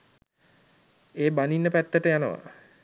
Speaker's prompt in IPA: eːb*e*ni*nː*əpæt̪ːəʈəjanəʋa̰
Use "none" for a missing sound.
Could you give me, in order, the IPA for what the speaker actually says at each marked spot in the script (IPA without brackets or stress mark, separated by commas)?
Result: a, nː